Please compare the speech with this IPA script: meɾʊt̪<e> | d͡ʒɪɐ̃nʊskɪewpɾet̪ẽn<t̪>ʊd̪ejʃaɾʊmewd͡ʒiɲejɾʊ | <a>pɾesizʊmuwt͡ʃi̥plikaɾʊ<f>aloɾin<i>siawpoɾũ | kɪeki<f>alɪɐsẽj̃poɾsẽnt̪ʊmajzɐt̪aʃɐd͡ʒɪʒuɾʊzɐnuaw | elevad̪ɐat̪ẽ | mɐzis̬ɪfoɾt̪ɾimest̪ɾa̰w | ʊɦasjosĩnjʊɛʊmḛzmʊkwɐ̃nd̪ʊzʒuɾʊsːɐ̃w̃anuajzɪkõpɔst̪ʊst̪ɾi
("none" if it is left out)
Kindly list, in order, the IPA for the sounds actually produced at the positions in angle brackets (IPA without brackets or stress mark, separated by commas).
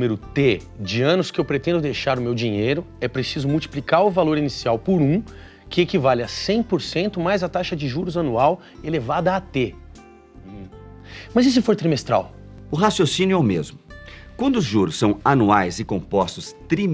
e, d̪, ɛ, v, i, v